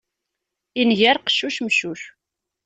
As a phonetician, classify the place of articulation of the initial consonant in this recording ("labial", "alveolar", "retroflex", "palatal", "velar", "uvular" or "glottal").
alveolar